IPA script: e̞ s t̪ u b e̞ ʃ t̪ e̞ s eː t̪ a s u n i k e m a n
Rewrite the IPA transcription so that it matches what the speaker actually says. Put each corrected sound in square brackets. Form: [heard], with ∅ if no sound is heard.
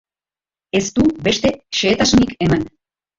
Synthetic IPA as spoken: e̞ s t̪ u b e̞ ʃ t̪ e̞ [ʃ] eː t̪ a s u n i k e m a n